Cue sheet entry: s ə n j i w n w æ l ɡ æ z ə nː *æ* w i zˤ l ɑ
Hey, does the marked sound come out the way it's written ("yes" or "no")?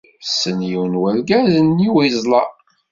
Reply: no